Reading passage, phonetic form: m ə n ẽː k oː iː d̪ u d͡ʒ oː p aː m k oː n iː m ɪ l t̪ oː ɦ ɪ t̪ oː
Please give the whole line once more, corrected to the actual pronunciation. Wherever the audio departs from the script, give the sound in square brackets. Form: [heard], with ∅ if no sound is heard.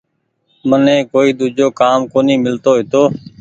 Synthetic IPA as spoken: m ə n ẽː k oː iː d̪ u d͡ʒ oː [k] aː m k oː n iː m ɪ l t̪ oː ɦ ɪ t̪ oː